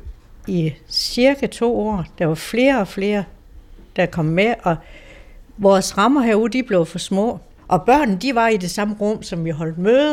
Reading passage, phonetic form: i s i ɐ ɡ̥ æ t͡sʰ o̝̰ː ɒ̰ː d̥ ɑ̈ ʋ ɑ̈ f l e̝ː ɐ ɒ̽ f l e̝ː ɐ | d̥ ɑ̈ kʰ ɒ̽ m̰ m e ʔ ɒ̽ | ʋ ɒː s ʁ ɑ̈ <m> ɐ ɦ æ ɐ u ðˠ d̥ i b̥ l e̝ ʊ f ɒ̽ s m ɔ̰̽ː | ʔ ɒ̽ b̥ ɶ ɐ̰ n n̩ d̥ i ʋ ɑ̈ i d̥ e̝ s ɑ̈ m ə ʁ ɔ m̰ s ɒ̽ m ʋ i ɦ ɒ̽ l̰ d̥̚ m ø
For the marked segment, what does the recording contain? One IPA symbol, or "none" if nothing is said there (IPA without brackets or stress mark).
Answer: m